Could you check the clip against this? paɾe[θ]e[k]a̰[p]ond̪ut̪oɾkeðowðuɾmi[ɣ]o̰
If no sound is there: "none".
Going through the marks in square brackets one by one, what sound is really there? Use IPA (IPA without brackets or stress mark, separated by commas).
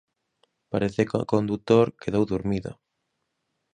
θ, k, k, ð